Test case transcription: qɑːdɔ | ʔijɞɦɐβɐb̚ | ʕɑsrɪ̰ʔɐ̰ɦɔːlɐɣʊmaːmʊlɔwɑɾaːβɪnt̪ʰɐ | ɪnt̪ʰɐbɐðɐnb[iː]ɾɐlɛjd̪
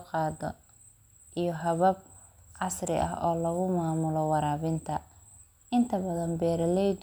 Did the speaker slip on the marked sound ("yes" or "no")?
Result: yes